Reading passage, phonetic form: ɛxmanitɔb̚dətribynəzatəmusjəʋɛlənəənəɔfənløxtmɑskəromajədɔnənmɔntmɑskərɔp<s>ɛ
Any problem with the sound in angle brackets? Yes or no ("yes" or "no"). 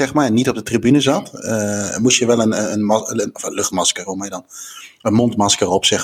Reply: no